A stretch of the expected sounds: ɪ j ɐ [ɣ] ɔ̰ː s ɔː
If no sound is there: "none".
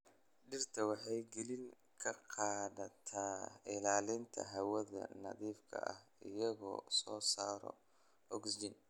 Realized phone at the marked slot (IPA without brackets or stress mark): ɣ